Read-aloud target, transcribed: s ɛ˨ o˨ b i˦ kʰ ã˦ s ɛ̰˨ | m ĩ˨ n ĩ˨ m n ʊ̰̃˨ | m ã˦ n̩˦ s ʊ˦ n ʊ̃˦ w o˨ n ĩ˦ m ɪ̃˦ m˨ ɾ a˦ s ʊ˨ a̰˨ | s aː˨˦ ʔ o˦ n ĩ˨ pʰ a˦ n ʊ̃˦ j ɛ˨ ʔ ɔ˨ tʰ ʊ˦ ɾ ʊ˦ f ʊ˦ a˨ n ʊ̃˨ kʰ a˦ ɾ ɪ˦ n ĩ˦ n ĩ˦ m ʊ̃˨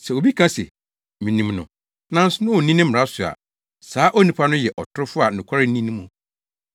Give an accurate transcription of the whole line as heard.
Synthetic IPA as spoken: s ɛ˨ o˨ b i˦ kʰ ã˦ s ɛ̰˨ | m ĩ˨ n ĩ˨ m n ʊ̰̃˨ | n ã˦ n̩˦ s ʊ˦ n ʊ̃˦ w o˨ n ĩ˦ n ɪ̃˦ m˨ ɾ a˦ s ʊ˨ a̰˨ | s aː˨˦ ʔ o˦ n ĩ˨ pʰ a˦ n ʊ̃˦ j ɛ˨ ʔ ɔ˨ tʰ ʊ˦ ɾ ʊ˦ f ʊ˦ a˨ n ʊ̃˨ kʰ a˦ ɾ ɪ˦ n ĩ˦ n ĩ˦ m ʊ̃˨

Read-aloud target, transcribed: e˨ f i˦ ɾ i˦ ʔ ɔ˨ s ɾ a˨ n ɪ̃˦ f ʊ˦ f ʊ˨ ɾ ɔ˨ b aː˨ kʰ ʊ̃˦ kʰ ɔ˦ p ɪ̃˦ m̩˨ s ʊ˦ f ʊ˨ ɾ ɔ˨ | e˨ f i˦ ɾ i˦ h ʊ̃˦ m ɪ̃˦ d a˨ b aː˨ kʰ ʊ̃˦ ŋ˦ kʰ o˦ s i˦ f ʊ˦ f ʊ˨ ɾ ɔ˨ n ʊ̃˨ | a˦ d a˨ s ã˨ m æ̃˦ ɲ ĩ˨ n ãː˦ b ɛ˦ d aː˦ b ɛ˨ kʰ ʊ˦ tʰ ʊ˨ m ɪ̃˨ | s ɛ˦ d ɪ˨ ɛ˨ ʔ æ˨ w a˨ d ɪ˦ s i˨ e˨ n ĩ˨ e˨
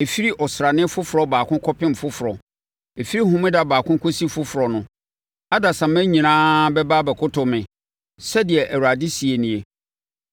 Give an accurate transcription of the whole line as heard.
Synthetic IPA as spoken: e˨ f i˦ ɾ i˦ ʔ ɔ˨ s ɾ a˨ n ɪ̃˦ f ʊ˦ f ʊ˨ ɾ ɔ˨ b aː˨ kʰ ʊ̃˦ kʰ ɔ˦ p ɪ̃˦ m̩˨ f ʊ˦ f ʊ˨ ɾ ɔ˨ | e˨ f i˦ ɾ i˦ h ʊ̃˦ m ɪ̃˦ d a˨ b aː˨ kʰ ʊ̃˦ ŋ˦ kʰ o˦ s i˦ f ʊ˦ f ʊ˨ ɾ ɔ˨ n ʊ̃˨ | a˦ d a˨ s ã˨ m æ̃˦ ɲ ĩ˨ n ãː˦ b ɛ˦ b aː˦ b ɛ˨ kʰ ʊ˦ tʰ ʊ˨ m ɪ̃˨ | s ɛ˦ d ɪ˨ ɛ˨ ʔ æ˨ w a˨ d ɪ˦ s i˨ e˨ n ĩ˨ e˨

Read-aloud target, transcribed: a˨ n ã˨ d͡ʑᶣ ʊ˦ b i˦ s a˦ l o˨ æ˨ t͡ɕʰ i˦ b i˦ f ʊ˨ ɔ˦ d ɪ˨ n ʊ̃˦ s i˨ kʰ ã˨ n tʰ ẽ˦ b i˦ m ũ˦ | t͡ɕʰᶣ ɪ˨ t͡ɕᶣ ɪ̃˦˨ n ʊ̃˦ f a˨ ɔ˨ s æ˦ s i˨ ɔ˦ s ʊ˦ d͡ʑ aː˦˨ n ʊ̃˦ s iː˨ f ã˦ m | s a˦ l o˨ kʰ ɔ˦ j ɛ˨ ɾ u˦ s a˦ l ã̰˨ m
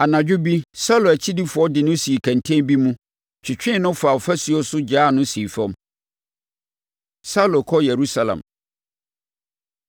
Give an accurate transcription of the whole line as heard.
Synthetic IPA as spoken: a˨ n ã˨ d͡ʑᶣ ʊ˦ b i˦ s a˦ l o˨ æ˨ t͡ɕʰ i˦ d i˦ f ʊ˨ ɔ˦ d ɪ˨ n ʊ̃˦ s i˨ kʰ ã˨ n tʰ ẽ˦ b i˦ m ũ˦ | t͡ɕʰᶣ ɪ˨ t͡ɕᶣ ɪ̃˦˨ n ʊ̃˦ f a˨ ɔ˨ f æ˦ s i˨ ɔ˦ s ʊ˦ d͡ʑ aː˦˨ n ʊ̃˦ s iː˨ f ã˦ m | s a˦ l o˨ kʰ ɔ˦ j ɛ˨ ɾ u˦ s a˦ l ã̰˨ m

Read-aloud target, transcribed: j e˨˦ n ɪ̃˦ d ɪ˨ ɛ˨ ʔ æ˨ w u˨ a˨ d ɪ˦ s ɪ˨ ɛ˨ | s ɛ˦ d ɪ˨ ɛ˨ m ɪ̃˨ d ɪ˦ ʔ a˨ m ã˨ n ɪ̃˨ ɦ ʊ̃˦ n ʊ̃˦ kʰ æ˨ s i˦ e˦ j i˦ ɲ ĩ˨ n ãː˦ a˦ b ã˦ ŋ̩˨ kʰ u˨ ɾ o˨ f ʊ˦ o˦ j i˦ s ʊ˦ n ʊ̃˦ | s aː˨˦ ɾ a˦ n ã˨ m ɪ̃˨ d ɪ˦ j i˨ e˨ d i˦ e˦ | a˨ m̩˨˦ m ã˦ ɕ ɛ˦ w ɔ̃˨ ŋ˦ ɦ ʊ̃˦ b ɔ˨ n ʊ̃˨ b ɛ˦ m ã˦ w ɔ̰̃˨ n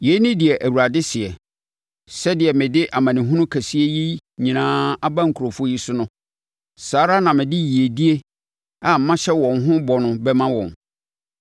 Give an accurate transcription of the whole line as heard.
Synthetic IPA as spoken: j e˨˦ n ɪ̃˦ d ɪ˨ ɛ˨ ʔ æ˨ w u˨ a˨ d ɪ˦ s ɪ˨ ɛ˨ | s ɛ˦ d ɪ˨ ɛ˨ m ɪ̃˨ d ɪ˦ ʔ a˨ m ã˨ n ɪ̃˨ ɦ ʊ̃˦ n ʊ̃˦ kʰ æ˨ s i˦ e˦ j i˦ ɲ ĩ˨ n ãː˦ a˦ b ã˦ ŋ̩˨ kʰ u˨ ɾ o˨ f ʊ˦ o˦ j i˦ s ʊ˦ n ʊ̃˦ | s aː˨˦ ɾ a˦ n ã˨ m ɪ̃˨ d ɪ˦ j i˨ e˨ d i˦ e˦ | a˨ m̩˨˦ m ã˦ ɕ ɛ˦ w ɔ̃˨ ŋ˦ ɦ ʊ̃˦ b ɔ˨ n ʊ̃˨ b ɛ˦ m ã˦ w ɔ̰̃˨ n

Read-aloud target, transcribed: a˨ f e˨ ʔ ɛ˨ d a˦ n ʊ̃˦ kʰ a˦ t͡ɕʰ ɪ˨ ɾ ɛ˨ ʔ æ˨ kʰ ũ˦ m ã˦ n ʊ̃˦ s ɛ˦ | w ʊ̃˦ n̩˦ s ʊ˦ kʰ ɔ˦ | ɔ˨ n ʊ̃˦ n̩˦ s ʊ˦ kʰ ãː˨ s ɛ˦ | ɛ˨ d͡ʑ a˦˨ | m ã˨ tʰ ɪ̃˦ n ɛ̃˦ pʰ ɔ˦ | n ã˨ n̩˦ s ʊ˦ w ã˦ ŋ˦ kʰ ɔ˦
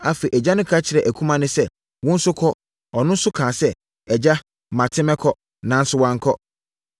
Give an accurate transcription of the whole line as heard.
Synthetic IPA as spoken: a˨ f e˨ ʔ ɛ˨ d͡ʑ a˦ n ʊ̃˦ kʰ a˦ t͡ɕʰ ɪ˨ ɾ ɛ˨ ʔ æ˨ kʰ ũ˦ m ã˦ n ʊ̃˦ s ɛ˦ | w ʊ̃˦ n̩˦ s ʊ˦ kʰ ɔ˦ | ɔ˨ n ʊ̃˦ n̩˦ s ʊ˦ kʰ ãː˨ s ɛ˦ | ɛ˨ d͡ʑ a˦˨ | m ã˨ tʰ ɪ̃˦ m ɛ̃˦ kʰ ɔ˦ | n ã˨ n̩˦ s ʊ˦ w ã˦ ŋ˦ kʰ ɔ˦

